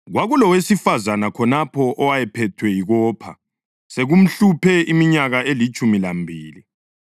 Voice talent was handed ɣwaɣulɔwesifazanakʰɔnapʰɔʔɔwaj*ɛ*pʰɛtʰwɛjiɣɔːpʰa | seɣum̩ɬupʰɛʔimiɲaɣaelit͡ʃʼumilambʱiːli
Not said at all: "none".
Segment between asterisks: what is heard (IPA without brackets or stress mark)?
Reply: ɛ